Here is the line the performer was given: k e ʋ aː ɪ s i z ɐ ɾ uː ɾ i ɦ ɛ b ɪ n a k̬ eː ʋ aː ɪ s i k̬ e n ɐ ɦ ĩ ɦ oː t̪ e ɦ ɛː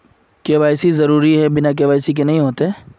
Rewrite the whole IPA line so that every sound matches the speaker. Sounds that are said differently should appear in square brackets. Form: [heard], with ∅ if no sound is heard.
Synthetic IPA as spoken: k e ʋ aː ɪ s i z ɐ ɾ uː ɾ i ɦ ɛ b ɪ n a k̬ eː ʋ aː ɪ s i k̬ e n ɐ ɦ ĩ ɦ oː t̪ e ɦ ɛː